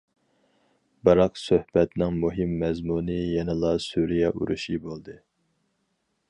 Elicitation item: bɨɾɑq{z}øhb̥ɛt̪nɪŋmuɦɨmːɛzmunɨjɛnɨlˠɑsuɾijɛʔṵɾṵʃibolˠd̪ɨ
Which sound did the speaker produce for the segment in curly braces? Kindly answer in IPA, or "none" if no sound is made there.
s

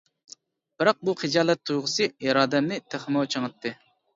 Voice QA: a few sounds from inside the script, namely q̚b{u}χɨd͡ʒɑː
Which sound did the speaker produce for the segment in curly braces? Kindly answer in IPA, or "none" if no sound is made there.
u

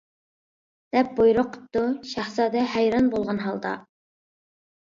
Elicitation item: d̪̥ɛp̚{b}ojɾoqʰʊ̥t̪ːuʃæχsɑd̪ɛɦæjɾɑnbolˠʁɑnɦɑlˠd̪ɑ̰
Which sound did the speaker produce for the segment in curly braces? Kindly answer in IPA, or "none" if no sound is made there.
b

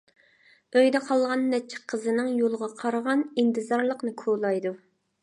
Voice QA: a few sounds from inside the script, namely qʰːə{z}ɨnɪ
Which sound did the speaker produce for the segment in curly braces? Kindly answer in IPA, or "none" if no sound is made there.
z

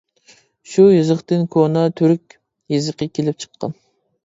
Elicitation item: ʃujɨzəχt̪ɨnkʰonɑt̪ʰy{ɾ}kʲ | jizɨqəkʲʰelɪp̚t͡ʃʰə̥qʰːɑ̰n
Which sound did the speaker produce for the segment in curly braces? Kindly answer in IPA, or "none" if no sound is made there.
ɾ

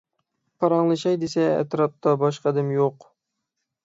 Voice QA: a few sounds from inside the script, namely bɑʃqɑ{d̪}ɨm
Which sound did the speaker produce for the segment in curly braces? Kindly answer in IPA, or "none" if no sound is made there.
d̪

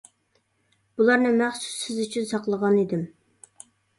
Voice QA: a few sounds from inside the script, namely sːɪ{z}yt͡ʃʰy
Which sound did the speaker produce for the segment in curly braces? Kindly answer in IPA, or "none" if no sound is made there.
z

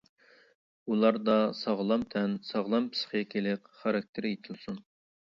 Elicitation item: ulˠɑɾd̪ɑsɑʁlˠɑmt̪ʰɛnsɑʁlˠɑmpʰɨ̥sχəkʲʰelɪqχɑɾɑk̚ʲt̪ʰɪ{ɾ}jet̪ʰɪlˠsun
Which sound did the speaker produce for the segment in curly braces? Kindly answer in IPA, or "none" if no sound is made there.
ɾ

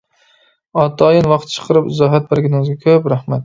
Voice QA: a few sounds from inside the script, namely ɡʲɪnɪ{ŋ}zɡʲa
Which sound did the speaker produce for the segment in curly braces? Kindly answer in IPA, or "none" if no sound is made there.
ŋ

